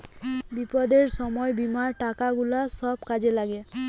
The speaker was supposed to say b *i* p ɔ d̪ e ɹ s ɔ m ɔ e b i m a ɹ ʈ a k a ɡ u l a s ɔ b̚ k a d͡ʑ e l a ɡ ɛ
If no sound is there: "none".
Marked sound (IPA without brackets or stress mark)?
i